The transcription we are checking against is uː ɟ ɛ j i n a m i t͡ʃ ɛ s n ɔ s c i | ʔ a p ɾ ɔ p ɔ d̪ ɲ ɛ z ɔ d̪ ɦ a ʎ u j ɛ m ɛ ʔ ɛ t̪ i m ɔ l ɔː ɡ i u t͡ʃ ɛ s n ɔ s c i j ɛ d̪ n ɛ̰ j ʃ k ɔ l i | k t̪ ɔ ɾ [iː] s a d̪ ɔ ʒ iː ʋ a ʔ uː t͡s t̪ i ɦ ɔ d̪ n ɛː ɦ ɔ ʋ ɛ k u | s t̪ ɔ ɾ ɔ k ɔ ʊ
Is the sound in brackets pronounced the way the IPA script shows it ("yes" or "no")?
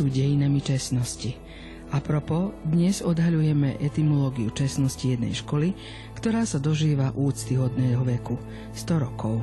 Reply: no